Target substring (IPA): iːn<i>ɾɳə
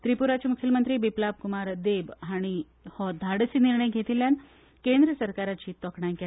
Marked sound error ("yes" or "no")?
no